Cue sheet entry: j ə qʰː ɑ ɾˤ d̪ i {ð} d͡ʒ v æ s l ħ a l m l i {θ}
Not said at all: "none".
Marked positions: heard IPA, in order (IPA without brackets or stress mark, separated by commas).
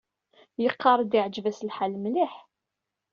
ʕ, ħ